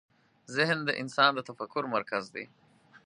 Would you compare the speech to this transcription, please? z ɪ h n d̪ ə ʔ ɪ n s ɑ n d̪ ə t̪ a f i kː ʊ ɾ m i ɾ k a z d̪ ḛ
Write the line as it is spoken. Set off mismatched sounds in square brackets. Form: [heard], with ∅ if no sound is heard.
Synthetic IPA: z ɪ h n d̪ ə ʔ ɪ n s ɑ n d̪ ə t̪ a f [a] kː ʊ ɾ m [a] ɾ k a z d̪ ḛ